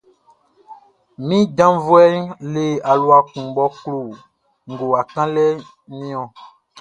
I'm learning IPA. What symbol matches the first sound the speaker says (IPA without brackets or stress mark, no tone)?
m